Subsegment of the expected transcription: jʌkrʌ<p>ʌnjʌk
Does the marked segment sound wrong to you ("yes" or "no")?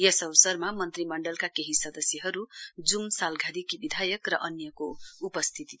yes